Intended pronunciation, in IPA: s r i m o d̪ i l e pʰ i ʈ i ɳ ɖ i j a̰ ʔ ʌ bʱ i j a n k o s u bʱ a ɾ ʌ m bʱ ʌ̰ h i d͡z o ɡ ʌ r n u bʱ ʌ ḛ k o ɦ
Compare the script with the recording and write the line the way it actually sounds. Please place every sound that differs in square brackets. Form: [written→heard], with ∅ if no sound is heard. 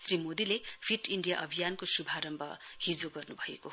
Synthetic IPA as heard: s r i m o d̪ i l e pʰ i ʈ i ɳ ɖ i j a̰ ʔ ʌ bʱ i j a n k o s u bʱ a ɾ ʌ m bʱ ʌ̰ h i d͡z o ɡ ʌ r n u bʱ ʌ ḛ k o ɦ